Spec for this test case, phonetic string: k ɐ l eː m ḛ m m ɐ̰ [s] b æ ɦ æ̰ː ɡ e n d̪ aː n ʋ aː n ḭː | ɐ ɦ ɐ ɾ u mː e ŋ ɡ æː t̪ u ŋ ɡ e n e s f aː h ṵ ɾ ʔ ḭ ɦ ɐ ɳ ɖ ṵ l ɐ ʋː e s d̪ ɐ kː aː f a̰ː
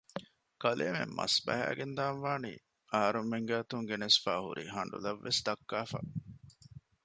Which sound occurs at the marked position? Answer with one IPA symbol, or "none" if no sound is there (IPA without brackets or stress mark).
s